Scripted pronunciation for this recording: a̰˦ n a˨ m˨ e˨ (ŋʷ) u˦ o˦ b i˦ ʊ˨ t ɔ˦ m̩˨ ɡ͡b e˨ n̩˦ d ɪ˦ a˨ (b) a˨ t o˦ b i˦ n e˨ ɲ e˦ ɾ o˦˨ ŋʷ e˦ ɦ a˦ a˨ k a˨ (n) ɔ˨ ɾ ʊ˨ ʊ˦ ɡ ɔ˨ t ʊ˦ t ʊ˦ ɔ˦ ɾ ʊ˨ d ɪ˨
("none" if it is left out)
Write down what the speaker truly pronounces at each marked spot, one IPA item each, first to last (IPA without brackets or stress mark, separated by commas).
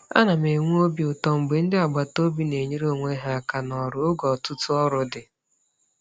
ŋʷ, ɡ͡b, n